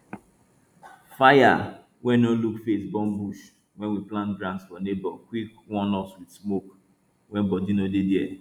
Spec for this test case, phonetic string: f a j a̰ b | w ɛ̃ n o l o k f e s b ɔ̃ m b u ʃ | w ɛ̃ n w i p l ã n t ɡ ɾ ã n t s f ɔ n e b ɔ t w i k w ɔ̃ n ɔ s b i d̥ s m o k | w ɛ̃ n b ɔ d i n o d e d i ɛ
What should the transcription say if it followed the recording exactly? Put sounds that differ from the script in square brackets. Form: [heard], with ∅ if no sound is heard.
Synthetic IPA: f a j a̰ [∅] | w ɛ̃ n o l [u] k f e s b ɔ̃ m b u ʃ | w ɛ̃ n w i p l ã n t ɡ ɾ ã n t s f ɔ n e b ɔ [k] w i k w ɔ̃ n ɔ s [w] i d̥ s m o k | w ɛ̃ n b ɔ d i n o d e d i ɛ